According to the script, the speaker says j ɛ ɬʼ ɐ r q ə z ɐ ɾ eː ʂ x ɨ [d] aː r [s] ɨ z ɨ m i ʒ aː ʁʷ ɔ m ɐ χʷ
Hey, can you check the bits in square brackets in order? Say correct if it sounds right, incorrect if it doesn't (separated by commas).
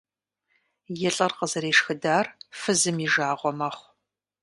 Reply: correct, incorrect